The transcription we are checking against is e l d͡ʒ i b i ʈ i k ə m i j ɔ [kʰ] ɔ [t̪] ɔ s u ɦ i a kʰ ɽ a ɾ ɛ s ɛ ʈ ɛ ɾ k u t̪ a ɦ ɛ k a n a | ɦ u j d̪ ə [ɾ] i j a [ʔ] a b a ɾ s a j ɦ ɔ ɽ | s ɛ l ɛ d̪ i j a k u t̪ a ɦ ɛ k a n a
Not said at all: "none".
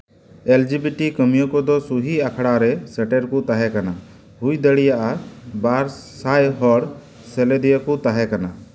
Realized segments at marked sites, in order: k, d̪, ɽ, ʔ

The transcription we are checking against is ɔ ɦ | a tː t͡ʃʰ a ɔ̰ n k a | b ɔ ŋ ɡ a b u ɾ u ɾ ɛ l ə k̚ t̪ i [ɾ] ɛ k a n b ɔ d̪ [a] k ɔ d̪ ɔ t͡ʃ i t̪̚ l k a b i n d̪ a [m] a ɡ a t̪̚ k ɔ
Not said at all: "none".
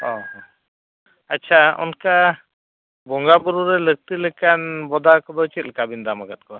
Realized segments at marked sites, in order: l, a, m

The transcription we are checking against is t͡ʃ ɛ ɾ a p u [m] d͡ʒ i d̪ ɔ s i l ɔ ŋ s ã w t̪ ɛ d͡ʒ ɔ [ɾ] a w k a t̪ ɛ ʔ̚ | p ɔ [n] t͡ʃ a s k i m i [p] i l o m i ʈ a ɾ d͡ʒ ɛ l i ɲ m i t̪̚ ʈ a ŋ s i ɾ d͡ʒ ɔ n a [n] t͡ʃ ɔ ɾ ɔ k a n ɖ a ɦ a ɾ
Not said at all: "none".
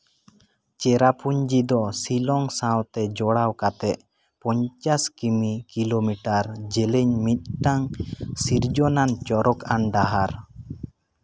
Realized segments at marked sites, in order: ɲ, ɽ, ɲ, k, n

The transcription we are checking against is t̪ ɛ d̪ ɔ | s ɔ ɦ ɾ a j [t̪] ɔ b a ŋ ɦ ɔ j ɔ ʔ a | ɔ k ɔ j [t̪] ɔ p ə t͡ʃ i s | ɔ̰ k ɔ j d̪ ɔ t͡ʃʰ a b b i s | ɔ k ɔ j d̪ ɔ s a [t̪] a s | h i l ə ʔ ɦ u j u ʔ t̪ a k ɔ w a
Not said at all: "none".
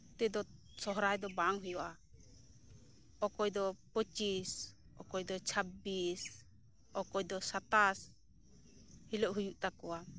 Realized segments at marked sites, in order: d̪, d̪, t̪

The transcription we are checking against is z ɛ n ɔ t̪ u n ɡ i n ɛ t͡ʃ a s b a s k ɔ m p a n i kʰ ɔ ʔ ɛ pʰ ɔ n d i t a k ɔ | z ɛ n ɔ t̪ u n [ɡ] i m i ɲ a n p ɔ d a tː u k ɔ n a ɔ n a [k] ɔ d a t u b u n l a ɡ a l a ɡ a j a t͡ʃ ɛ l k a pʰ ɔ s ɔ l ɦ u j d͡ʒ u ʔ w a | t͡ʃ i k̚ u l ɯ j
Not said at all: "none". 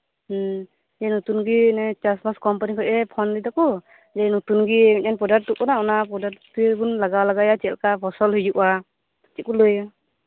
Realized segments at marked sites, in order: ɡ, p

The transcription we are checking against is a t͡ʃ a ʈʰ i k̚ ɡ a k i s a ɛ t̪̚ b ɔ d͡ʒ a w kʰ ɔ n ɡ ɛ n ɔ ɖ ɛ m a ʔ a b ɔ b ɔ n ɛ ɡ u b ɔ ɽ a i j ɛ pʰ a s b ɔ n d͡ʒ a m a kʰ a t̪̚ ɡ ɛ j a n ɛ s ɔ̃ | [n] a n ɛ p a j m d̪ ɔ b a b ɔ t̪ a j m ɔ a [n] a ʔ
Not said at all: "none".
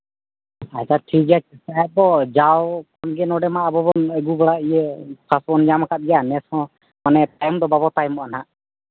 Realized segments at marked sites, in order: m, n

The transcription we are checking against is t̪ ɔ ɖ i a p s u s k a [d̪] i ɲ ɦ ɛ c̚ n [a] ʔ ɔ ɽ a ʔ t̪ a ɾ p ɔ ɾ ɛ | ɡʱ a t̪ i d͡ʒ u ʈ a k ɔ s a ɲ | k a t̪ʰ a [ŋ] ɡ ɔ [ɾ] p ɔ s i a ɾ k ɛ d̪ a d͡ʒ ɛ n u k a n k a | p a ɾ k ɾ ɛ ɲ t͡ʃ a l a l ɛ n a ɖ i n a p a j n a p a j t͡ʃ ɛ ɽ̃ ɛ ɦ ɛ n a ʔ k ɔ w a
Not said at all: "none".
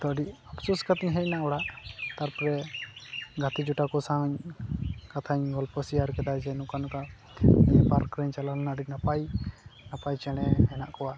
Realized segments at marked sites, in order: t̪, a, ɲ, l

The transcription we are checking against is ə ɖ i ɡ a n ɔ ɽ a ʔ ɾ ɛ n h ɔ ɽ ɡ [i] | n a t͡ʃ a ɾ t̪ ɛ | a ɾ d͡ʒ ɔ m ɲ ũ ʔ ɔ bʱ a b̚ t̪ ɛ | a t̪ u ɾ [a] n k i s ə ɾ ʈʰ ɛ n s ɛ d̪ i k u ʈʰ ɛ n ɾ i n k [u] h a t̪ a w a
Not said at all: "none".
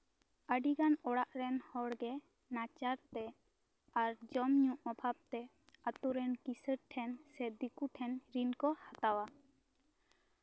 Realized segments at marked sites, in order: ɛ, ɛ, ɔ

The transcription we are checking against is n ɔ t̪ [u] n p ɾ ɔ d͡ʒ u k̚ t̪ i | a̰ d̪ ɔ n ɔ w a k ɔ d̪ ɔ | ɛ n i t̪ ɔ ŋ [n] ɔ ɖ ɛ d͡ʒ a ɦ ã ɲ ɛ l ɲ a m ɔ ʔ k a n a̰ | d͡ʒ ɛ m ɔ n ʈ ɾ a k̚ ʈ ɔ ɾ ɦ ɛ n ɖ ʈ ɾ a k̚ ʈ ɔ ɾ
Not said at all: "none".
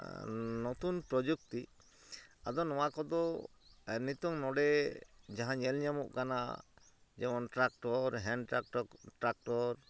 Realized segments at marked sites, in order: u, n

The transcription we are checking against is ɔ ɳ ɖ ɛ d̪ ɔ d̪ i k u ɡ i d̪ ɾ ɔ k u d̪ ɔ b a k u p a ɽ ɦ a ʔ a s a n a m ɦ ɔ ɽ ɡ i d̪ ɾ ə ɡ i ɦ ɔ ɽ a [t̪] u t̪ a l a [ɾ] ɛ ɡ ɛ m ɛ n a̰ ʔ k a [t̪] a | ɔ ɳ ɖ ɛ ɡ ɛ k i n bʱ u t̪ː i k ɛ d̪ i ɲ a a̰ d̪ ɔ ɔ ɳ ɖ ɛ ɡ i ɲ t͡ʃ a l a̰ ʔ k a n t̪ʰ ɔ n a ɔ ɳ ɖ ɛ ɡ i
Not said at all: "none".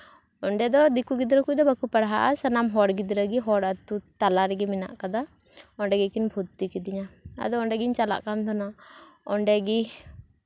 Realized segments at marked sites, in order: t̪, ɾ, d̪

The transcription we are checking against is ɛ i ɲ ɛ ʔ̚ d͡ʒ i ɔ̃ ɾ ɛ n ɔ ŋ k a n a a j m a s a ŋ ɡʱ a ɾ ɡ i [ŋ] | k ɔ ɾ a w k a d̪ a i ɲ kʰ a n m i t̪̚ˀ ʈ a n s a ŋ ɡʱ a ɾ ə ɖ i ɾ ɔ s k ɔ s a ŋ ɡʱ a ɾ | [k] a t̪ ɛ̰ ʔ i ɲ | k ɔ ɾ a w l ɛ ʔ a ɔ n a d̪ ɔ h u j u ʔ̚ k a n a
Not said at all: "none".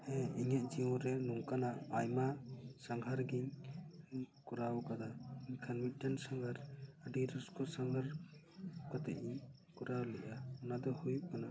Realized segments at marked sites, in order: ɲ, k

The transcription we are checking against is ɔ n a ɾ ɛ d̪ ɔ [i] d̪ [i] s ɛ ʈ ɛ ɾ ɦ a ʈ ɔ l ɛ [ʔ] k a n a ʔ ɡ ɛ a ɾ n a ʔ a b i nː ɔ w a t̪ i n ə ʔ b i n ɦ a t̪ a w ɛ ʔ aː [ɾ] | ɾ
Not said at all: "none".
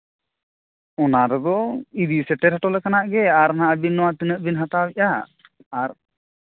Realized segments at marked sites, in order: i, i, none, none

